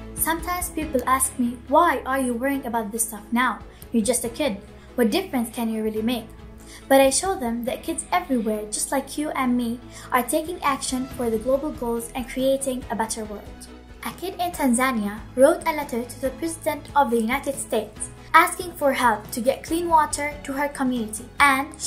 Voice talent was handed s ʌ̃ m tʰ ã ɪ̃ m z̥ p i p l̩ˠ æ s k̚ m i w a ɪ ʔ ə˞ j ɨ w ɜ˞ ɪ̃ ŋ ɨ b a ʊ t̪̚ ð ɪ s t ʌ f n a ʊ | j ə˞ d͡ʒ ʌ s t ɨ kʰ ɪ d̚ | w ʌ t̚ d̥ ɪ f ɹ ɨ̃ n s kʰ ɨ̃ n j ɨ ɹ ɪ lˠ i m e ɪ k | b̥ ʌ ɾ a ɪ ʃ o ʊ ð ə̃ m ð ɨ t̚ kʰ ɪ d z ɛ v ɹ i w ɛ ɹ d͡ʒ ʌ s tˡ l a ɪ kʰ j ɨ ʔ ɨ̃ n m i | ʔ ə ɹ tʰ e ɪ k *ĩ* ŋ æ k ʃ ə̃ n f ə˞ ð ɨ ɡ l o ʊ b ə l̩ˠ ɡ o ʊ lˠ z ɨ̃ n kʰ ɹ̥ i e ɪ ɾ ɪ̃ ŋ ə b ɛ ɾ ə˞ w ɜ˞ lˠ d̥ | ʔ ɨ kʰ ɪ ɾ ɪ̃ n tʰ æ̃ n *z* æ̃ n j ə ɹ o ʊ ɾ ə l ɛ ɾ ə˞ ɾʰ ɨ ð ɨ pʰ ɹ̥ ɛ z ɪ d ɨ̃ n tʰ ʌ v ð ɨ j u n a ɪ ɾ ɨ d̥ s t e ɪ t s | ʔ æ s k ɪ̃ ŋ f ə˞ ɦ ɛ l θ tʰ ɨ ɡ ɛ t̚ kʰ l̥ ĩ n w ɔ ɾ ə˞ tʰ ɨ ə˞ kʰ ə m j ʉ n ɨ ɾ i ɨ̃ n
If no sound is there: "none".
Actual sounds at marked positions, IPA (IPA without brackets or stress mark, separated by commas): ɪ̃, z